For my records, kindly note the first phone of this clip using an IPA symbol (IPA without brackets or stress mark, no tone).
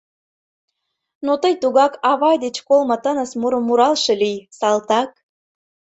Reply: n